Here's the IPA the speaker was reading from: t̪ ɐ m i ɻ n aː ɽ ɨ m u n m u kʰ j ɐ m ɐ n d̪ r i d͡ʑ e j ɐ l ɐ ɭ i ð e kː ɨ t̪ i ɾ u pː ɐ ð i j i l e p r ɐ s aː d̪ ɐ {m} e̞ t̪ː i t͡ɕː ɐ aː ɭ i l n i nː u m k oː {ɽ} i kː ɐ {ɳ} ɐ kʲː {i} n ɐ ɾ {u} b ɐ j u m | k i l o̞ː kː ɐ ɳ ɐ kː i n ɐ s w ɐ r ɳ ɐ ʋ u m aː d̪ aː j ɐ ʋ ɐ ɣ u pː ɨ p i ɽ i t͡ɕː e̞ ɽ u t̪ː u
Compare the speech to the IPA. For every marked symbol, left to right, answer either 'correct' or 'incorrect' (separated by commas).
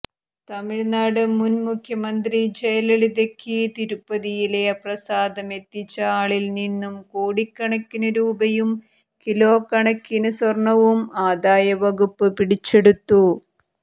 correct, correct, correct, correct, incorrect